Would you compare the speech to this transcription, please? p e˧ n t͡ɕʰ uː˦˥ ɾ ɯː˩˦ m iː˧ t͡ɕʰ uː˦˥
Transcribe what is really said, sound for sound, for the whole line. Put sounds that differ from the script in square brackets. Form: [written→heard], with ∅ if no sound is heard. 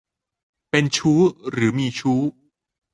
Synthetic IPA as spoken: p e˧ n t͡ɕʰ uː˦˥ ɾ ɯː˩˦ m iː˧ t͡ɕʰ uː˦˥